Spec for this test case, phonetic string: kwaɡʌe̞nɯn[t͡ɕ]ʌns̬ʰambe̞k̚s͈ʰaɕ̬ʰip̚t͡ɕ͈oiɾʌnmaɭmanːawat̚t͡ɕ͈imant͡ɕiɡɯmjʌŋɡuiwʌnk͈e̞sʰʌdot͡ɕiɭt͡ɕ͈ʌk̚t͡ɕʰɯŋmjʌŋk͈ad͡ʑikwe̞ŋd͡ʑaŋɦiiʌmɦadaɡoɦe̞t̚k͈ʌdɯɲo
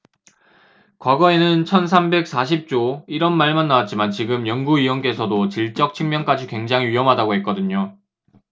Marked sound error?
yes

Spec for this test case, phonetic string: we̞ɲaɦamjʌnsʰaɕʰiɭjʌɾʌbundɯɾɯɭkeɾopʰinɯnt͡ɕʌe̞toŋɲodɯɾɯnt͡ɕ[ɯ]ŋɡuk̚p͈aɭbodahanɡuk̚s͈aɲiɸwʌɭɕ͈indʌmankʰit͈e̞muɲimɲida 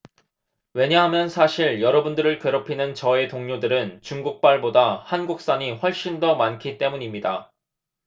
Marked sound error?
yes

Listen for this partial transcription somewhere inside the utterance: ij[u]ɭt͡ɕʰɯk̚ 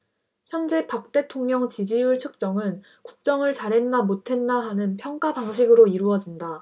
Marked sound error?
no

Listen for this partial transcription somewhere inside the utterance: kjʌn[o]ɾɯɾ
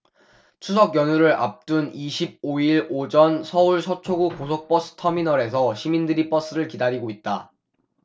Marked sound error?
yes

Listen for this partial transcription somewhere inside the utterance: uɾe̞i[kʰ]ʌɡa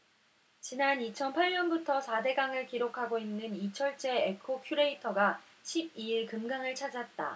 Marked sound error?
yes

